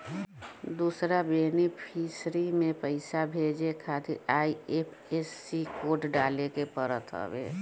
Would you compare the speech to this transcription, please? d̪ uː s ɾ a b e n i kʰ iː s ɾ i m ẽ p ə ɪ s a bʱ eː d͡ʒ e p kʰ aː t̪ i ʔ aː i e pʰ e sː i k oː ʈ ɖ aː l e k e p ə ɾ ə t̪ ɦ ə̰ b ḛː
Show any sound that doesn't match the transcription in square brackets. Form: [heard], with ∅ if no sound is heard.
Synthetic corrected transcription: d̪ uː s ɾ a b e n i [pʰ] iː s ɾ i m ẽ p ə ɪ s a bʱ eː d͡ʒ e [∅] kʰ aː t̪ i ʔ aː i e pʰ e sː i k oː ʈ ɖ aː l e k e p ə ɾ ə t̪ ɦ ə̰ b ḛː